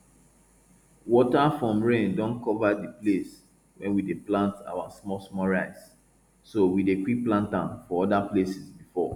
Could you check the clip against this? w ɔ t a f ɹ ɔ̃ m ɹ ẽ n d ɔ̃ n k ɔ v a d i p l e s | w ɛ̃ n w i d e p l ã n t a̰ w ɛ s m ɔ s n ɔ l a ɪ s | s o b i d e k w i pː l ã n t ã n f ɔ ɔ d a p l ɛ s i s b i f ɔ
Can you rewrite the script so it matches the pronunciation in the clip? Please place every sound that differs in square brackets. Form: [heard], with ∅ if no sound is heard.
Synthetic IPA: w ɔ t a f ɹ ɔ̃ m ɹ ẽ n d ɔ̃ n k ɔ v a d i p l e s | w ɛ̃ n w i d e p l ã n t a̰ w [a] s m ɔ s [m] ɔ [ɹ] a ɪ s | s o [w] i d e k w i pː l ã n t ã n f ɔ ɔ d a p l [e] s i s b i f ɔ

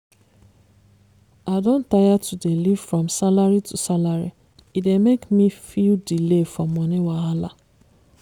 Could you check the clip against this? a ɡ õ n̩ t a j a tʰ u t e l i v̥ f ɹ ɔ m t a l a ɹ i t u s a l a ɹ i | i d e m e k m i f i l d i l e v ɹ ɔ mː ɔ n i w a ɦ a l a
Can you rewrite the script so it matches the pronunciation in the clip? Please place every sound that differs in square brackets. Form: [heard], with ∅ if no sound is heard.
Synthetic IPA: a [d] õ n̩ t a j a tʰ u [d] e l i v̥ f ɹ ɔ m [s] a l a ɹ i t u s a l a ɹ i | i d e m e k m i f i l d i l e [f] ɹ ɔ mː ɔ n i w a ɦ a l a

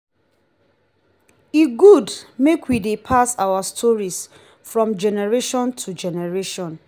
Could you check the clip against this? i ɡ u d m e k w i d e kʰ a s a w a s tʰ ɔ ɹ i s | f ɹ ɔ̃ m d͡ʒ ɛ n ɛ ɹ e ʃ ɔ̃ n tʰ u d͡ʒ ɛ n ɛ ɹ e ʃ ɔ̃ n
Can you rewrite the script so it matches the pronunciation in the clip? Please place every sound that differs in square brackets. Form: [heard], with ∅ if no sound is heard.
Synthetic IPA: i ɡ u d m e k w i d e [pʰ] a s a w a s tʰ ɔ ɹ i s | f ɹ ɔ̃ m d͡ʒ ɛ n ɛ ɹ e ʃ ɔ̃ n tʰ u d͡ʒ ɛ n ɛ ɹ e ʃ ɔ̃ n

